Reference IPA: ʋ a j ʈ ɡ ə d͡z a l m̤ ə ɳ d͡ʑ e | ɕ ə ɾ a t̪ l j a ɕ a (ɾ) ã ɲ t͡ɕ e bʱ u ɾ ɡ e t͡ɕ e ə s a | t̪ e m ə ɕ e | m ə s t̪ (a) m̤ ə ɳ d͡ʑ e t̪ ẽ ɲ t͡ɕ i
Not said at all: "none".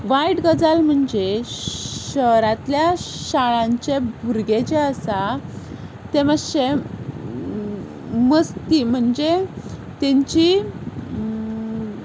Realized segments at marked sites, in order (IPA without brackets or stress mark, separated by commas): ɭ, i